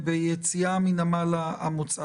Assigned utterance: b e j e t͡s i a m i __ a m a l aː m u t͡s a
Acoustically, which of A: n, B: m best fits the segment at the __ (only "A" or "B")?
A